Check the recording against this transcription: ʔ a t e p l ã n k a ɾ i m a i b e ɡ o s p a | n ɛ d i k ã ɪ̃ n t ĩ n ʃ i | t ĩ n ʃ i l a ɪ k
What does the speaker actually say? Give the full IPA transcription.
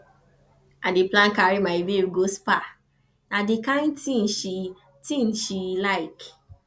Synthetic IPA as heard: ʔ a d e p l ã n k a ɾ i m a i b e ɡ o s p a | n a d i k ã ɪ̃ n t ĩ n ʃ i | t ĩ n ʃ i l a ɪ k